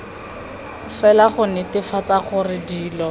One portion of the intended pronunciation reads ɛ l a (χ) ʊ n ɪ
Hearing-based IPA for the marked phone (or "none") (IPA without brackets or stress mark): χ